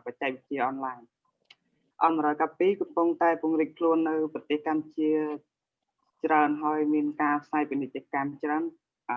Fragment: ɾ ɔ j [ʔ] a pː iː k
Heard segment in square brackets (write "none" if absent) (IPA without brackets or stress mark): k